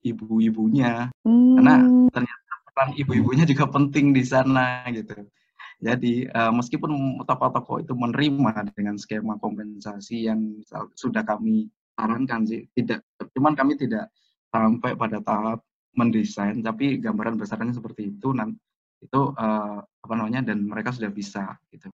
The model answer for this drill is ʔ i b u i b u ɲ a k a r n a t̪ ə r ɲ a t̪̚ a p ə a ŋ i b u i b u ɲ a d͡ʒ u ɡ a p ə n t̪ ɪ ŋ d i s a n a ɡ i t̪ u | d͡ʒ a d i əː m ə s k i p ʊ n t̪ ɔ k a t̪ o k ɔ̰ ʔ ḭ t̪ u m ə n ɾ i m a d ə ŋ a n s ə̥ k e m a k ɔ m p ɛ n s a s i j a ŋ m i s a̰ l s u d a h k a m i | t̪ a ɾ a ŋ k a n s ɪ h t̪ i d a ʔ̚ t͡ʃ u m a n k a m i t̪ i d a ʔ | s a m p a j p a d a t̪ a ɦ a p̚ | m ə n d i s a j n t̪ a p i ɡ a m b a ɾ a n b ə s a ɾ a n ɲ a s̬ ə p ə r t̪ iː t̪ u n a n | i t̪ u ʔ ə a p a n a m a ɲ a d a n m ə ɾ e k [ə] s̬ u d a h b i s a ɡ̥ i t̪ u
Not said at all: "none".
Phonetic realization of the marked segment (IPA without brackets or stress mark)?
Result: a